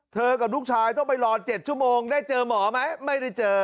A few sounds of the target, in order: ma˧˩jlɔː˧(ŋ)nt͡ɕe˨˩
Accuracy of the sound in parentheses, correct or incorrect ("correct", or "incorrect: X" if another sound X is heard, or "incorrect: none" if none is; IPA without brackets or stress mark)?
incorrect: none